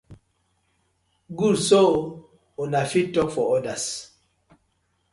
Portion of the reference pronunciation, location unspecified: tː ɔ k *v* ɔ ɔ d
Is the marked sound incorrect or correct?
incorrect